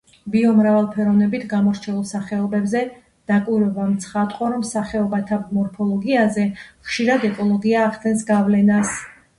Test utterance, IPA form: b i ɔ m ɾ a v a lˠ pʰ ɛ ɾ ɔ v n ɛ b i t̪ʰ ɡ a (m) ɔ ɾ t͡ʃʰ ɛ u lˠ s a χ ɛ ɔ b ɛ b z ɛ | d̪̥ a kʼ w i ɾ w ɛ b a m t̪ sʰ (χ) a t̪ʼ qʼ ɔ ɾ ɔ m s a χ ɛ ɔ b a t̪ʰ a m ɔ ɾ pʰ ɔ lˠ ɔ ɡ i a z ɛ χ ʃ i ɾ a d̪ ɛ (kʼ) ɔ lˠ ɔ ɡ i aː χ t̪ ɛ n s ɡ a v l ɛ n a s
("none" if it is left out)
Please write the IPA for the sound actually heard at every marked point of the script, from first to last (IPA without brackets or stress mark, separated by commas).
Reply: m, χ, kʼ